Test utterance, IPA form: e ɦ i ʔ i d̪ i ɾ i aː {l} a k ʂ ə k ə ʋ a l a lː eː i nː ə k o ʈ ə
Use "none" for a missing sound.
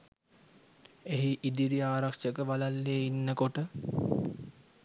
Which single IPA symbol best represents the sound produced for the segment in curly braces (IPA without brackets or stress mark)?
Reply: ɾ